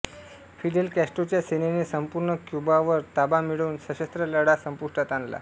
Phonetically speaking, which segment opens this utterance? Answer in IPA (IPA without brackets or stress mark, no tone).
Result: f